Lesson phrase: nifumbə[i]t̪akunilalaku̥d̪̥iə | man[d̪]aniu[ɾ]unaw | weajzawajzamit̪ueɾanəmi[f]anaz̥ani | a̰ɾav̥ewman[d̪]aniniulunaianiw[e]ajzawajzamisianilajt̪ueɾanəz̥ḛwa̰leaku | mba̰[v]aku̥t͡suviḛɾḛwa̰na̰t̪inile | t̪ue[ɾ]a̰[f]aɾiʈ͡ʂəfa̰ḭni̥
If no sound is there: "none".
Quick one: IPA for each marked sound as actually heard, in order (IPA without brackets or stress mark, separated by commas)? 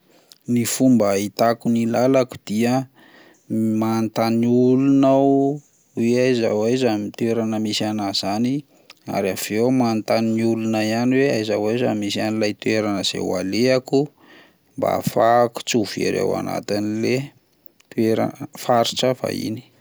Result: i, t̪, l, s, t̪, e, f, ɾ, f